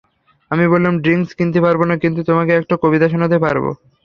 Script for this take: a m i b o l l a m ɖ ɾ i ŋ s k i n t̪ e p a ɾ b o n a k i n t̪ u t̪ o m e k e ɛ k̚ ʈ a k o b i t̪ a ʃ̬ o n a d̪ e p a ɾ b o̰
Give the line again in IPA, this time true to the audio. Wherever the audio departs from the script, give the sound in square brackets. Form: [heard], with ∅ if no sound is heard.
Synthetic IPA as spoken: a m i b o l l a m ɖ ɾ i ŋ s k i n t̪ e p a ɾ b o n a k i n t̪ u t̪ o m [a] k e ɛ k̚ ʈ a k o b i t̪ a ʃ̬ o n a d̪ e p a ɾ b o̰